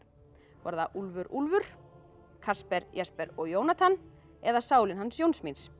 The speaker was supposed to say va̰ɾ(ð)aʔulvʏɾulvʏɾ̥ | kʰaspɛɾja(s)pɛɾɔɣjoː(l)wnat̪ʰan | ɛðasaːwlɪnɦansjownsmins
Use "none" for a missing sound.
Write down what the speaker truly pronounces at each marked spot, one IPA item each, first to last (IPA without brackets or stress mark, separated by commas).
ð, s, none